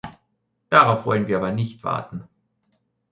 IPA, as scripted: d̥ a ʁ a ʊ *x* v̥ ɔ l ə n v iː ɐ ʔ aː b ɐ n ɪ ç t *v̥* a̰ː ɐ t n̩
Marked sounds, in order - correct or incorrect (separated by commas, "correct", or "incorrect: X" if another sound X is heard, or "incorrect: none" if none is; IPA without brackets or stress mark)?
incorrect: f, correct